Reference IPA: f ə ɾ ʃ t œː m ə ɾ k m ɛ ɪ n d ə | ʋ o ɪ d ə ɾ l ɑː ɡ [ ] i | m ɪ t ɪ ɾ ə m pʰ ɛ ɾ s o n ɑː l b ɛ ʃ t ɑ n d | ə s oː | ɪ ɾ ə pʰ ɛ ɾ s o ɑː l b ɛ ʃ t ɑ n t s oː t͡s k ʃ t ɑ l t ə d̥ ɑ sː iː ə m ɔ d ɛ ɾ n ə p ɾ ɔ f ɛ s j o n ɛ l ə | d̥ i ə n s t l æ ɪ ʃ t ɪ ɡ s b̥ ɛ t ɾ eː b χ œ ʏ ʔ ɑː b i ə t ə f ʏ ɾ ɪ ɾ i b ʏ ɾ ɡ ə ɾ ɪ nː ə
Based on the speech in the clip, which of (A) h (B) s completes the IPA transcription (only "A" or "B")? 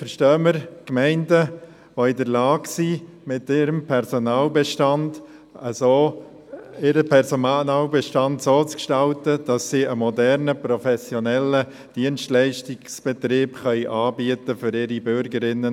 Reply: B